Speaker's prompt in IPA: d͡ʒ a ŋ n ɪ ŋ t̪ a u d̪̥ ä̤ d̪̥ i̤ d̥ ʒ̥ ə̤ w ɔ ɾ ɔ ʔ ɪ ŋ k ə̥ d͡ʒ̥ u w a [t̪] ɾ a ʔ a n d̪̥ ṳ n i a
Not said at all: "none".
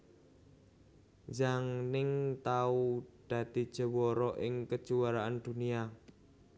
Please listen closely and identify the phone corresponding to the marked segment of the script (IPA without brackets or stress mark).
none